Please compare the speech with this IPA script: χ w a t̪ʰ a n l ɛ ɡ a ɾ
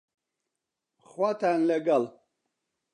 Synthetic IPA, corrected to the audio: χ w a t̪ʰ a n l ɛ ɡ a l